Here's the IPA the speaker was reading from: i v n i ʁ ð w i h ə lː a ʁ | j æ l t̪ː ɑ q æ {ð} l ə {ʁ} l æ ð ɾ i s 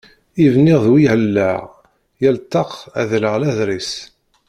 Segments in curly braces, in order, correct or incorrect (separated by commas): correct, correct